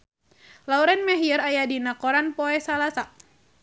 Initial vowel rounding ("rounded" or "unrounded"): unrounded